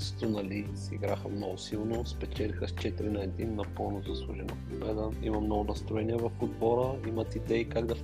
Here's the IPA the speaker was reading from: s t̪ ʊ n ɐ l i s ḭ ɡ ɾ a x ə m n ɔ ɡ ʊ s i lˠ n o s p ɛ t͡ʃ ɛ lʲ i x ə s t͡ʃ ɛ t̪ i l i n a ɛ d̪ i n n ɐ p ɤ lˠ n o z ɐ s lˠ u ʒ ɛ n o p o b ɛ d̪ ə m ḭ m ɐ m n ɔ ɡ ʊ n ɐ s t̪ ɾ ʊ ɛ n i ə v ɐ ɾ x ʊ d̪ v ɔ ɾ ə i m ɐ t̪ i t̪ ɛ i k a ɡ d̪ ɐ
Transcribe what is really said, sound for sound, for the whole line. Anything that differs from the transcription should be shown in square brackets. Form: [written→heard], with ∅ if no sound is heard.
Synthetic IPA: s t̪ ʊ n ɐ l i s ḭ ɡ ɾ a x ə m n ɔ ɡ ʊ s i lˠ n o s p ɛ t͡ʃ ɛ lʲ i x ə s t͡ʃ ɛ t̪ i [l→ɾ] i n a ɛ d̪ i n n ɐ p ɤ lˠ n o z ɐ s lˠ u ʒ ɛ n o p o b ɛ d̪ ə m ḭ m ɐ m n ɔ ɡ ʊ n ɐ s t̪ ɾ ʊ ɛ n i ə v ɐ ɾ x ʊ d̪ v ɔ ɾ ə i m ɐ t̪ i [t̪→d̪] ɛ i k a ɡ d̪ ɐ